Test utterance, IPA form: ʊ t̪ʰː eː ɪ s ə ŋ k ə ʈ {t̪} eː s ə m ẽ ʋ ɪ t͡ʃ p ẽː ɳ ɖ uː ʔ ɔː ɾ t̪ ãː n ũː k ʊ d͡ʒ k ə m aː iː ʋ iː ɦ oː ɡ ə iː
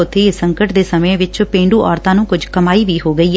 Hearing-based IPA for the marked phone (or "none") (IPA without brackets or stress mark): d̪